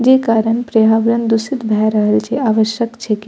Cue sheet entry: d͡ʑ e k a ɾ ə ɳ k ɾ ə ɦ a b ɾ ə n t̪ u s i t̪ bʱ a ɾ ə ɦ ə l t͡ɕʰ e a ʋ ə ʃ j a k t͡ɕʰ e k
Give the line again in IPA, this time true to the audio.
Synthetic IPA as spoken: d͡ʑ e k a ɾ ə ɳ p ɾ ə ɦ a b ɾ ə n d̪ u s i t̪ bʱ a ɾ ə ɦ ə l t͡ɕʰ e a ʋ ə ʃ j ə k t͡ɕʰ e k

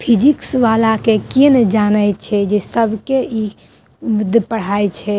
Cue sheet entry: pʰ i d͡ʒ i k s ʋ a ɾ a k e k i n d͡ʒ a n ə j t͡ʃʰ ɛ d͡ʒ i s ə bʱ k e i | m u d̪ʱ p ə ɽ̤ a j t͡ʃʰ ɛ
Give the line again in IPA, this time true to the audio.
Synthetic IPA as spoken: pʰ i d͡ʒ i k s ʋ a l a k e k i n d͡ʒ a n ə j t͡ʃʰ ɛ d͡ʒ e s ə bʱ k e i | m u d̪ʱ p ə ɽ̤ a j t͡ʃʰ ɛ

